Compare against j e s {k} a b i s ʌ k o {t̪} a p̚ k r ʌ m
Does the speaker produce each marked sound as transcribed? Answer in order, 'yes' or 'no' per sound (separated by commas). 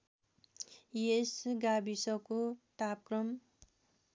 no, yes